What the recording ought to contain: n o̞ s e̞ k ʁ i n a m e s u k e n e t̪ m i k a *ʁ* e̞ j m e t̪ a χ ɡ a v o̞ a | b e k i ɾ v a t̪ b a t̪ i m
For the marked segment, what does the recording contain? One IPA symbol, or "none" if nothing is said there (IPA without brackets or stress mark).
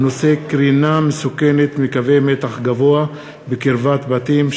v